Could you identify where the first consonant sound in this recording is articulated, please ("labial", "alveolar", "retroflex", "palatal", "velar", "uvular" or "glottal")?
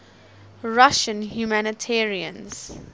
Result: alveolar